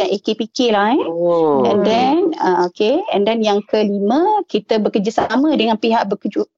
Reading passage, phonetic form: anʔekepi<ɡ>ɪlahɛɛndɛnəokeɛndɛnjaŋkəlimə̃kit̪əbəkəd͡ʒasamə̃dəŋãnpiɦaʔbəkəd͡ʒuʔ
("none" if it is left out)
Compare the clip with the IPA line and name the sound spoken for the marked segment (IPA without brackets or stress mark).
k